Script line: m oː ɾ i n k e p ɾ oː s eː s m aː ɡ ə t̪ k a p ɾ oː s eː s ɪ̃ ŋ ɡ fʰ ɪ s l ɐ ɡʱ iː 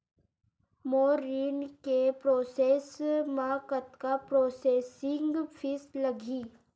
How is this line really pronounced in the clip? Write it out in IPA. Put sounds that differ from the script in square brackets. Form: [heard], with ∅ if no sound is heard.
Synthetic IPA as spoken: m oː ɾ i n k e p ɾ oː s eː s m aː [k] ə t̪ k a p ɾ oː s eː s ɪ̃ ŋ ɡ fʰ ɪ s l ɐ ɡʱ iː